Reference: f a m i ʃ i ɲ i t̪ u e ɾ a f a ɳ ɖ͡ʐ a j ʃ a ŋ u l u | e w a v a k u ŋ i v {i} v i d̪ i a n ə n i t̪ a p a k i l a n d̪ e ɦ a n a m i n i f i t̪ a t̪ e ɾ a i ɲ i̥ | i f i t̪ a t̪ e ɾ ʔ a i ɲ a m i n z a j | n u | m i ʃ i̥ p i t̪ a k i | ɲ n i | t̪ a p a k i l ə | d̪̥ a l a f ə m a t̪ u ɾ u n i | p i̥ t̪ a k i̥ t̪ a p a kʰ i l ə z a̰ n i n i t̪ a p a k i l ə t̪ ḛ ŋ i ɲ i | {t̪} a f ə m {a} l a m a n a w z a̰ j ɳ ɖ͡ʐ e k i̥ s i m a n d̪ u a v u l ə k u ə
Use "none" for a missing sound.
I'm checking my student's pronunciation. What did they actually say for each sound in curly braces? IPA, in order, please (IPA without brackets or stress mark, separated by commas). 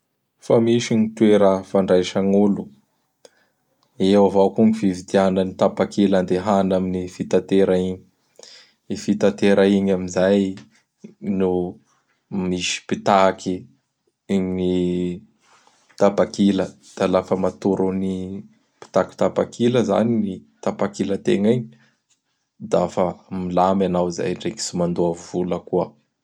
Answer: i, d̪, i